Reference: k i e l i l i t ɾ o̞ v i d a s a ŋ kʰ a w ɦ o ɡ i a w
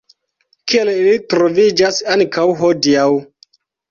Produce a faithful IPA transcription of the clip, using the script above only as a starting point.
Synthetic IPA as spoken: k i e l i l i t ɾ o̞ v i d͡ʒ a s a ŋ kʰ a w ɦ o d i a w